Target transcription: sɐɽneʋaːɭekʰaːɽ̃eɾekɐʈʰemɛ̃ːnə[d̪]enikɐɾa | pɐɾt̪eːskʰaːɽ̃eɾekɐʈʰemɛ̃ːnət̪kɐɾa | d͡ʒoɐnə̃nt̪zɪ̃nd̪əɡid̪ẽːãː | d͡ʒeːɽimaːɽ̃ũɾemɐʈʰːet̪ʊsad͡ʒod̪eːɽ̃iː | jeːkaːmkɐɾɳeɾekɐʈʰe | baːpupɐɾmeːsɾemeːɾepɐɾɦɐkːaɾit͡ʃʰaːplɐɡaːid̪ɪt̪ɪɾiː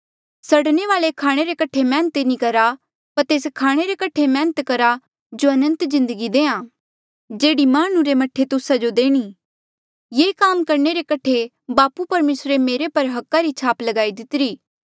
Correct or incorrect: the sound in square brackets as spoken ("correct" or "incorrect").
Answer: incorrect